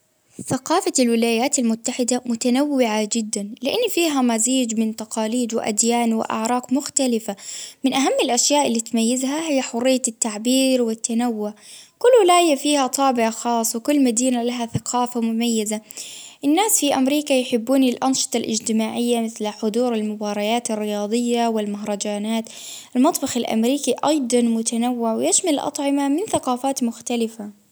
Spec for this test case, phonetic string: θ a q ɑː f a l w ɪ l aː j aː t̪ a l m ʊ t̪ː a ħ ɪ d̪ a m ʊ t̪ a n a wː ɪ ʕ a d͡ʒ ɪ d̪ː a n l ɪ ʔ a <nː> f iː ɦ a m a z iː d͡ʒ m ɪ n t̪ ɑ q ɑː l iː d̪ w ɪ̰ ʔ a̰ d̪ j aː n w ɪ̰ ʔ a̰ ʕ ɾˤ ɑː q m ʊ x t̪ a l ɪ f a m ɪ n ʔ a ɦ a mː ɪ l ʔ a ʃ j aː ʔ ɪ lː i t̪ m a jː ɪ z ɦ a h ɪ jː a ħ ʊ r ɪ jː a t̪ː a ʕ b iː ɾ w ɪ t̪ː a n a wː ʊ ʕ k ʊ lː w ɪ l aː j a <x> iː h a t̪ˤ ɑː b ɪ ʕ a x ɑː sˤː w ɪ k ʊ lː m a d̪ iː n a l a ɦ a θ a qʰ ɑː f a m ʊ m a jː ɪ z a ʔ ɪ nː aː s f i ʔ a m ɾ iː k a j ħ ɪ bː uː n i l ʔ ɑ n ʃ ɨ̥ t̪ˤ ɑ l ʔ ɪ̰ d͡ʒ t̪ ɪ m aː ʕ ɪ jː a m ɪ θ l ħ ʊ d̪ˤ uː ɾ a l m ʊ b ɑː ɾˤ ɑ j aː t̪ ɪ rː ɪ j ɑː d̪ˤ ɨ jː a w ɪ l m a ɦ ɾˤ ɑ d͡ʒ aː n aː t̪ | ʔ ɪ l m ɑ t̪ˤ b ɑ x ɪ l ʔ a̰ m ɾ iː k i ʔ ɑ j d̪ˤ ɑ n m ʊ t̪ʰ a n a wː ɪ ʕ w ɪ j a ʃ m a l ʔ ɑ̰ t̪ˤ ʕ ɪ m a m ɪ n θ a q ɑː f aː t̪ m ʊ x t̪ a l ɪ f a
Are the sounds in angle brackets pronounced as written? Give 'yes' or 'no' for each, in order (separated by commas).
yes, no